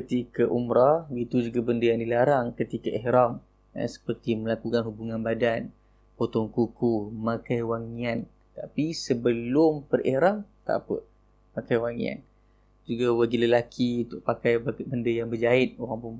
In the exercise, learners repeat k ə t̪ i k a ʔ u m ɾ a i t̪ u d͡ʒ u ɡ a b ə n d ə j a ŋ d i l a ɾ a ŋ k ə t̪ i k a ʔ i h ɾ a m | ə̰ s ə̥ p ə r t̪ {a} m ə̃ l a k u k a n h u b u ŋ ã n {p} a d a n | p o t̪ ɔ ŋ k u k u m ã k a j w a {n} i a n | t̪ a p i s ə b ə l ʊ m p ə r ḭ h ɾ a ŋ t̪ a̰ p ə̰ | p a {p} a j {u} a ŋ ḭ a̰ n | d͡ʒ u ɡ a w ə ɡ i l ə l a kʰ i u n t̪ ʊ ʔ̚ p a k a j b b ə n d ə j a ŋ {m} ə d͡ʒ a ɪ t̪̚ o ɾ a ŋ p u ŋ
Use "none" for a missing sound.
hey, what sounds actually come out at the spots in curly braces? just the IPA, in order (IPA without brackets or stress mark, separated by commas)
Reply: i, b, ŋ, k, w, b